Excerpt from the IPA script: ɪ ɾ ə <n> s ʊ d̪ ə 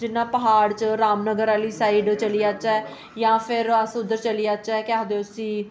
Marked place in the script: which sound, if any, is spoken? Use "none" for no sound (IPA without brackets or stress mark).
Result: none